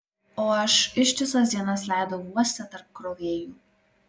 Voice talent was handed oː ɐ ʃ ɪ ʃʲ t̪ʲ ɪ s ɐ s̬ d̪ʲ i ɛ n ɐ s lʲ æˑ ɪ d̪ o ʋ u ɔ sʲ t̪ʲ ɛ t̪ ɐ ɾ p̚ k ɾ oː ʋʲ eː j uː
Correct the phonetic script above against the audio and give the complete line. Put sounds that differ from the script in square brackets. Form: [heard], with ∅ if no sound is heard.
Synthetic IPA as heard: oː ɐ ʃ ɪ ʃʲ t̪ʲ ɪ s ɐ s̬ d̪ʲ i ɛ n ɐ s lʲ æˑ ɪ d̪ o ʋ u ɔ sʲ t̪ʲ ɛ t̪ ɐ ɾ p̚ k ɾ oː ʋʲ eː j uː